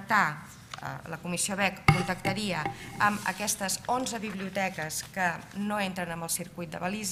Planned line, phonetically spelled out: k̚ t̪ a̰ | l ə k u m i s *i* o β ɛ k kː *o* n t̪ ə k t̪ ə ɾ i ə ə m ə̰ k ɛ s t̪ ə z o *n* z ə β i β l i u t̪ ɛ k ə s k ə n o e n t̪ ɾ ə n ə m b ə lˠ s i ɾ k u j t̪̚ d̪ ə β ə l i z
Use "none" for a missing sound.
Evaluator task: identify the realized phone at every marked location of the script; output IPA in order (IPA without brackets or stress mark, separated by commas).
i, u, n